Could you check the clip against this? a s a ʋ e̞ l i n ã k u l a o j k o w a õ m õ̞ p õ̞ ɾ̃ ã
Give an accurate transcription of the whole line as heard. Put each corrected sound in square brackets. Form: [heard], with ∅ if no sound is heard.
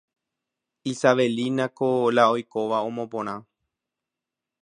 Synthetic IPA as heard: [i] s a ʋ e̞ l i n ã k [o] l a o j k o [ʋ] a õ m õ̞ p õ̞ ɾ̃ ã